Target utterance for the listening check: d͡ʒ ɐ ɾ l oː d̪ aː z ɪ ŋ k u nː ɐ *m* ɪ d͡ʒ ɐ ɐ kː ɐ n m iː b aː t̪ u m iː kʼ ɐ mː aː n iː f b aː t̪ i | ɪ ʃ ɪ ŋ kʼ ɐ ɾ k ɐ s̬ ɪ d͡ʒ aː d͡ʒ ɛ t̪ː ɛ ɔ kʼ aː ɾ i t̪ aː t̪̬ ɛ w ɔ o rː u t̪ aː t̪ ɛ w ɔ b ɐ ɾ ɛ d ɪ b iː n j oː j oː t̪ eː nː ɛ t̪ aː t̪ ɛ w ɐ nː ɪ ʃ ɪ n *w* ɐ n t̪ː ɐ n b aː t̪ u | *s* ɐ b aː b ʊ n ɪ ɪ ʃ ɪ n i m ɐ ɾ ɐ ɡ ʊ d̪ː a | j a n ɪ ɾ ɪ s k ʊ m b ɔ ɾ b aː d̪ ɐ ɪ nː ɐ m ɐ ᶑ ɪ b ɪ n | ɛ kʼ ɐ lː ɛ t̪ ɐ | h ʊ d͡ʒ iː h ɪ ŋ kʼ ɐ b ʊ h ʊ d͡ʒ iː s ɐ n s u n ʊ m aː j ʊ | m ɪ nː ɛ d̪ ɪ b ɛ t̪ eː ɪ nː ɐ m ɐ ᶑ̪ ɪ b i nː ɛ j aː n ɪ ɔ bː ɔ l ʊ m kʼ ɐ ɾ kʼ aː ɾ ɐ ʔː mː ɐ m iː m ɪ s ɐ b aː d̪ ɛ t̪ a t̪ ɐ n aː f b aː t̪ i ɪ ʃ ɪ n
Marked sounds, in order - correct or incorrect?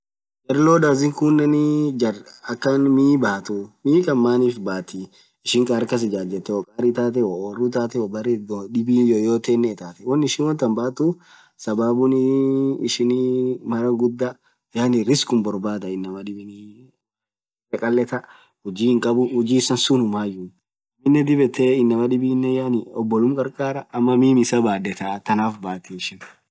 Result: incorrect: n, correct, correct

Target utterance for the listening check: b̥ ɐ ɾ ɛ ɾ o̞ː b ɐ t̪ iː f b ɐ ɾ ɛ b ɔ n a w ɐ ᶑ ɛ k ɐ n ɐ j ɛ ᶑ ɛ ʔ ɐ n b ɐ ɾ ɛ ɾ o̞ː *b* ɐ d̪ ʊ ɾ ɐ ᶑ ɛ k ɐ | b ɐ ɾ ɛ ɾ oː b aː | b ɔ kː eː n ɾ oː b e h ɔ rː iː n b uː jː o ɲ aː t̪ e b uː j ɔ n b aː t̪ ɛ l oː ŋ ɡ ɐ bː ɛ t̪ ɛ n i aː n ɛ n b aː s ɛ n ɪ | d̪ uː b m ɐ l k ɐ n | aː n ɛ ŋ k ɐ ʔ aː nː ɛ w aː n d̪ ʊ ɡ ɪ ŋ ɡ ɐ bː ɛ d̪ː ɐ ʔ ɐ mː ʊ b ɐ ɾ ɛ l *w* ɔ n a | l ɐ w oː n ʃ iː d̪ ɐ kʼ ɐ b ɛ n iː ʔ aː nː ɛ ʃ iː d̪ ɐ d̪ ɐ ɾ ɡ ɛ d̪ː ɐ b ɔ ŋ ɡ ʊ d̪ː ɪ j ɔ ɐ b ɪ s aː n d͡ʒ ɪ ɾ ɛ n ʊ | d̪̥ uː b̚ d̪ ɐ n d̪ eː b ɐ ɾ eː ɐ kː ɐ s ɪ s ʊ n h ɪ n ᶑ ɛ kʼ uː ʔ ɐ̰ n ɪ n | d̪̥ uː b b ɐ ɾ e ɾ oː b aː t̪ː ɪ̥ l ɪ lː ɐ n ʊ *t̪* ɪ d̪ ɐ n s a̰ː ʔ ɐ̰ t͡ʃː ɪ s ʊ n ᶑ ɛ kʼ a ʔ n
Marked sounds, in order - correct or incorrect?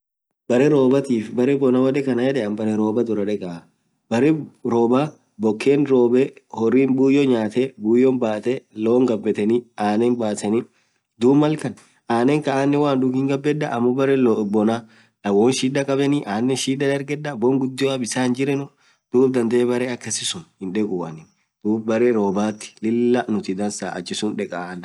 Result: correct, incorrect: b, correct

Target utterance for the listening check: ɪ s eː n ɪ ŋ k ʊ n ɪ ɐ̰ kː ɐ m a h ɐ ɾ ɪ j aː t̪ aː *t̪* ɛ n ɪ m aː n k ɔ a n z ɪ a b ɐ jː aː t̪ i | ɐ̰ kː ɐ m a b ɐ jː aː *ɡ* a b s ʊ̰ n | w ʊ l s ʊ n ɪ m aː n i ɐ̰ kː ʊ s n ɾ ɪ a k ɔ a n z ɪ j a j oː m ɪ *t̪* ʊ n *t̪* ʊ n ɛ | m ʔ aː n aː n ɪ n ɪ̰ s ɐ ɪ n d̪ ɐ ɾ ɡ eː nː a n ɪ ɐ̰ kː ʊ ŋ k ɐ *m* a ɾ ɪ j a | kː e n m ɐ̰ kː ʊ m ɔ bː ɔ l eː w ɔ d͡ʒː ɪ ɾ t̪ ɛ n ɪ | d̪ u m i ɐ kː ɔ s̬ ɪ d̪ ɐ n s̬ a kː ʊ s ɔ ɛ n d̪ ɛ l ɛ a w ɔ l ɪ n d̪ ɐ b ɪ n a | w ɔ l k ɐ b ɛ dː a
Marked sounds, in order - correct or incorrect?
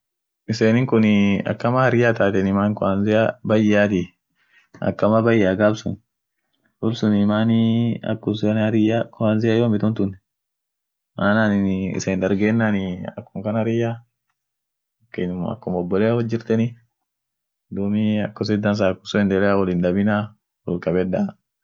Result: correct, correct, correct, correct, incorrect: n

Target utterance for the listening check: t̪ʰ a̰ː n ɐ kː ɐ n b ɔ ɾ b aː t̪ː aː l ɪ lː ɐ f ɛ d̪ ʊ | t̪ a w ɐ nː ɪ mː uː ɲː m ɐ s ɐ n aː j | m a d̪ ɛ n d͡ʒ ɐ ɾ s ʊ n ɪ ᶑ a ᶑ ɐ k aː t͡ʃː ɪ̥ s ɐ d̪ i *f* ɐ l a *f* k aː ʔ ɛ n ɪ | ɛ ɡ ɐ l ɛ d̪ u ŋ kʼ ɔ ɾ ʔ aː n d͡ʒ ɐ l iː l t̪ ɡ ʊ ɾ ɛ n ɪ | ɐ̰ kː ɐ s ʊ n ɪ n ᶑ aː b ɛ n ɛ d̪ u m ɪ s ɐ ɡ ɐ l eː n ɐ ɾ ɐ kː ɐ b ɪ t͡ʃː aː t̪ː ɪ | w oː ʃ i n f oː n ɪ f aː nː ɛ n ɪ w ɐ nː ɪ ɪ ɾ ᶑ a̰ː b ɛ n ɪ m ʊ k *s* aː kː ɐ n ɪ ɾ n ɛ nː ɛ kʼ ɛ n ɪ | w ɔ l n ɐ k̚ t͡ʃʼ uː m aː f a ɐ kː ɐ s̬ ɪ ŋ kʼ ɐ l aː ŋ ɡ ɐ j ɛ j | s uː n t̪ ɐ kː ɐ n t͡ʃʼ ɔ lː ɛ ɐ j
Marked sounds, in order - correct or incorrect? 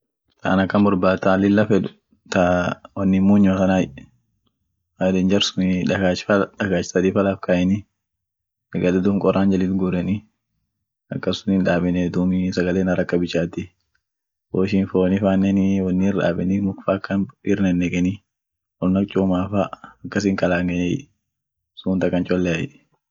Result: correct, correct, incorrect: f

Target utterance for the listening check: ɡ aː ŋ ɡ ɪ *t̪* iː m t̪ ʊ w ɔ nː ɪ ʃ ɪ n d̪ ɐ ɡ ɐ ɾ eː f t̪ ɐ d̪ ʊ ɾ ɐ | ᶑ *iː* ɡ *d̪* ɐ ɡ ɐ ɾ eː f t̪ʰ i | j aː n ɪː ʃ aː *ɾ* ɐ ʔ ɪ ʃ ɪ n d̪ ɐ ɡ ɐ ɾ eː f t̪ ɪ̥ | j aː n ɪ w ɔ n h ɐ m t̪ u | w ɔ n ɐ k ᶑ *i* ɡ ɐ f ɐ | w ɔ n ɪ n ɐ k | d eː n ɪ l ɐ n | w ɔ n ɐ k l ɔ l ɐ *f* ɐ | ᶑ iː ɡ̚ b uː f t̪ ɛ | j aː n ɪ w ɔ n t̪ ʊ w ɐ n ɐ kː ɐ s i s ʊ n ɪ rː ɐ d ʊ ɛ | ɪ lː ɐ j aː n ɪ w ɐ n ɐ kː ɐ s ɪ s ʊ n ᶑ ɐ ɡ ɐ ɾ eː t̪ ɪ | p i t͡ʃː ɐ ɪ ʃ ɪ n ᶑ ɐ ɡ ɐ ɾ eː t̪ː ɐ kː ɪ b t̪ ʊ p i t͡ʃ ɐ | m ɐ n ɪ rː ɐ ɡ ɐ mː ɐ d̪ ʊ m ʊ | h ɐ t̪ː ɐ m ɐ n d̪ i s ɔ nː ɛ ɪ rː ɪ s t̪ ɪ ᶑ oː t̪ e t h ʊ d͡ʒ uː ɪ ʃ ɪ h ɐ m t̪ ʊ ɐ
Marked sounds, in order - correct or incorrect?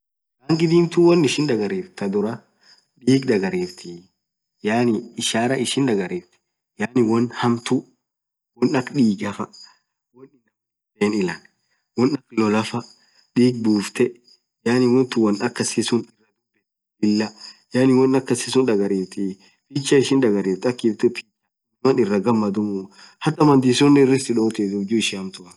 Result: incorrect: d̪, correct, correct, correct, incorrect: iː, correct

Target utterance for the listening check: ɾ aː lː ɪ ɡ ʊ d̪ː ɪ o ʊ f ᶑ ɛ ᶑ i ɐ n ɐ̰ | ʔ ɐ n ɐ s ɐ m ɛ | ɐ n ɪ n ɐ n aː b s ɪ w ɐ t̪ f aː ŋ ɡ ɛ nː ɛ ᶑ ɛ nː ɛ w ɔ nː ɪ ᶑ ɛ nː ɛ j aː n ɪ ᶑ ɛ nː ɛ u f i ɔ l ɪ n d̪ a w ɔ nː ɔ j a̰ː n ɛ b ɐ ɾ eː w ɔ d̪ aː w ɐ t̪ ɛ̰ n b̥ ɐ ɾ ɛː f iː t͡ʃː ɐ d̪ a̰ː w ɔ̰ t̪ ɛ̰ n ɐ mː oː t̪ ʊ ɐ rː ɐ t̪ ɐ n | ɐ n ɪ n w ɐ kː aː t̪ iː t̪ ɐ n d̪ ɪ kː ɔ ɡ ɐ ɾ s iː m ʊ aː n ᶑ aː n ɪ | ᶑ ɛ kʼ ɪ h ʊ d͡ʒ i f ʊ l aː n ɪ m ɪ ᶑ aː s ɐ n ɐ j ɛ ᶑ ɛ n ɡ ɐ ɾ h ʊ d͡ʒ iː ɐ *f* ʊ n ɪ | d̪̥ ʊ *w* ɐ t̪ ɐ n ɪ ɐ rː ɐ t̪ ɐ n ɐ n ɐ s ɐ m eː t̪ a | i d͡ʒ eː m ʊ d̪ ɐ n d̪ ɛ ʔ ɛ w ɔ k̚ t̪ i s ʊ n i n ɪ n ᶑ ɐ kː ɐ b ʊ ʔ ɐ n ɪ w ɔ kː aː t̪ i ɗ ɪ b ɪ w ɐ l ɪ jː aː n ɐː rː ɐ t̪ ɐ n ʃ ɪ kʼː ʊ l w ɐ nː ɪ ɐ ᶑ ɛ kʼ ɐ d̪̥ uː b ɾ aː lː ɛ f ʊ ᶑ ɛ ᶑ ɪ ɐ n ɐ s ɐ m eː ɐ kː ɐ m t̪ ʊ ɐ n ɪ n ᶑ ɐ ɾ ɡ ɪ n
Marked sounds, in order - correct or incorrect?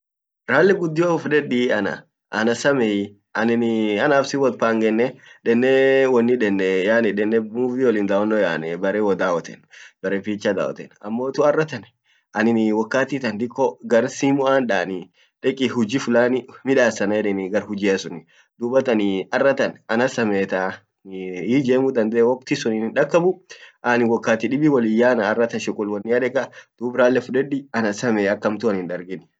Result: incorrect: s, incorrect: b

